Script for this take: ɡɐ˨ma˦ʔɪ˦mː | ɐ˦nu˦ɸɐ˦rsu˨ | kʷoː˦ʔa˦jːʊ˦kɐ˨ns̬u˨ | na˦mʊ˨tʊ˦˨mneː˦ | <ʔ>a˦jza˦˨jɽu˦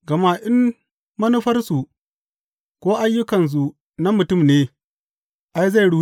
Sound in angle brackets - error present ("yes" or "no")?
no